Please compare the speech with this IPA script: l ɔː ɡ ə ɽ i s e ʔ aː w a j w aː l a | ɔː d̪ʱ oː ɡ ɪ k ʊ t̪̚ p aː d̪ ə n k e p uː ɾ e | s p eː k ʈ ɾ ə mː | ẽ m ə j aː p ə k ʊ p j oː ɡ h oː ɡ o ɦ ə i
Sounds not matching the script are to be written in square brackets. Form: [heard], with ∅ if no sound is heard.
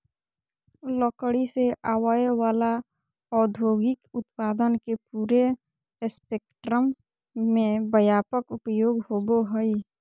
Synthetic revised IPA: l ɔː [k] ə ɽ i s e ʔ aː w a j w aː l a | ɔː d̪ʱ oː ɡ ɪ k ʊ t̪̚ p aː d̪ ə n k e p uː ɾ e | s p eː k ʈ ɾ ə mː | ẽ [b] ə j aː p ə k ʊ p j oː ɡ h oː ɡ o ɦ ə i